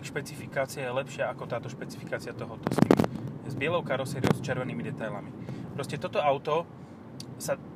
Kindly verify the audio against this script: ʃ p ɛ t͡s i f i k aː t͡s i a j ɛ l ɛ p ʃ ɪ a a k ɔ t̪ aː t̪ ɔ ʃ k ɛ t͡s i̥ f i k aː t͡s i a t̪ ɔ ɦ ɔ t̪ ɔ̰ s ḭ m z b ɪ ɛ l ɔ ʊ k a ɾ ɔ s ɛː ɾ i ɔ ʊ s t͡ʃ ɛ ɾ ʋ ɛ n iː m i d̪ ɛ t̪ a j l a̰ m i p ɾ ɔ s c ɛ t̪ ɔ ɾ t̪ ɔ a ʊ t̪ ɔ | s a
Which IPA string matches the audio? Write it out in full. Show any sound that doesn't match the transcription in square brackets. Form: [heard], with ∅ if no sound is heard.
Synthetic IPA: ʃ p ɛ t͡s i f i k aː t͡s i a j ɛ l ɛ p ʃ ɪ a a k ɔ t̪ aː t̪ ɔ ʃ [p] ɛ t͡s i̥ f i k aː t͡s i a t̪ ɔ ɦ ɔ t̪ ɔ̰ s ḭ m z b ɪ ɛ l ɔ ʊ k a ɾ ɔ s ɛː ɾ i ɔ ʊ s t͡ʃ ɛ ɾ ʋ ɛ n iː m i d̪ ɛ t̪ a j l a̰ m i p ɾ ɔ s c ɛ t̪ ɔ [∅] t̪ ɔ a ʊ t̪ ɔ | s a